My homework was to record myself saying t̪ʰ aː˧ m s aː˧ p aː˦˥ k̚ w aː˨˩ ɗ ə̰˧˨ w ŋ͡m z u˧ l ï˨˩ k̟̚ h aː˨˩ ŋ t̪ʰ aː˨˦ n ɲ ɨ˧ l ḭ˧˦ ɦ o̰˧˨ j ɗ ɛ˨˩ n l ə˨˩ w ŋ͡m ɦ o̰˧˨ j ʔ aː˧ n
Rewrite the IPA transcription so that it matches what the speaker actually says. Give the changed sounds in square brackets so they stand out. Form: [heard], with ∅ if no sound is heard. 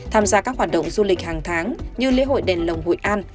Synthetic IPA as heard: t̪ʰ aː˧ m [z] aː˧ [k] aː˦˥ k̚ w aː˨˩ ɗ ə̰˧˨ w ŋ͡m z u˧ l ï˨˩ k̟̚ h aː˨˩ ŋ t̪ʰ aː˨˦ [ŋ] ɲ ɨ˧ l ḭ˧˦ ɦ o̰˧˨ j ɗ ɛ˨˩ n l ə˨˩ w ŋ͡m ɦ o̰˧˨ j ʔ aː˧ n